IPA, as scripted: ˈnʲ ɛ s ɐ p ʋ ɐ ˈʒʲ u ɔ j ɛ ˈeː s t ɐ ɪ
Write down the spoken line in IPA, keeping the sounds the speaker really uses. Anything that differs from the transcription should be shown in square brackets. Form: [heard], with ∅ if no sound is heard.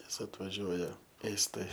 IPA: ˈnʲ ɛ s ɐ [t] ʋ ɐ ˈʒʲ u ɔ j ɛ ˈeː s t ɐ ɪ